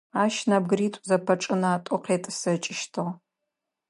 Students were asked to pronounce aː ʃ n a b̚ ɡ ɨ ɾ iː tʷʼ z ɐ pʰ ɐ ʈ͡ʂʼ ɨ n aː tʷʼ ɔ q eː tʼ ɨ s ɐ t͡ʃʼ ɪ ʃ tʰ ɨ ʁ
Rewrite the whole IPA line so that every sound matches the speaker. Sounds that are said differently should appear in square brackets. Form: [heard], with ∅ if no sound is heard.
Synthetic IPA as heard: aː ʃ n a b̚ ɡ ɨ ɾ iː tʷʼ z ɐ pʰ ɐ ʈ͡ʂʼ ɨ n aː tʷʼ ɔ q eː tʼ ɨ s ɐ t͡ʃʼ ɪ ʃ tʰ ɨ ʁ